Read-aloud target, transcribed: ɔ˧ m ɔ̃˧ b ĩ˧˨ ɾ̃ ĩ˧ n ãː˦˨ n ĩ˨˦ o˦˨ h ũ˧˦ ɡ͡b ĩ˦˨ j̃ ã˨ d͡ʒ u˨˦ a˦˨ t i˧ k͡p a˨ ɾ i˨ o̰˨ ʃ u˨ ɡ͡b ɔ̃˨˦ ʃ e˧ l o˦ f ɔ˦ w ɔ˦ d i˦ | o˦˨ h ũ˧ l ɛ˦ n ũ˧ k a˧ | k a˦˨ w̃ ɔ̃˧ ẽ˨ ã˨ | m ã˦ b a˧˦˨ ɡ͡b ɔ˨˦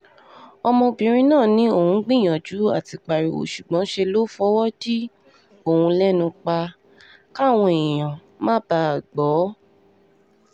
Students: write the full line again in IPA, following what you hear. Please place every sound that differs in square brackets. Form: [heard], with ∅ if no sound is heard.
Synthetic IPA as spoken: ɔ˧ m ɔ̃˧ b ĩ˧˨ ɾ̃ ĩ˧ n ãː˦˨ n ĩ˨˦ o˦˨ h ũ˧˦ ɡ͡b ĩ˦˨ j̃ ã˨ d͡ʒ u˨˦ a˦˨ t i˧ k͡p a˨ ɾ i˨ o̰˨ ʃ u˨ ɡ͡b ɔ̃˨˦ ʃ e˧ l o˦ f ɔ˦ w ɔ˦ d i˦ | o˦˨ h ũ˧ l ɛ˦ n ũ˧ [k͡p] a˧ | k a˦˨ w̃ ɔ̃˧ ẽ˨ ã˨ | m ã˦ b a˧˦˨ ɡ͡b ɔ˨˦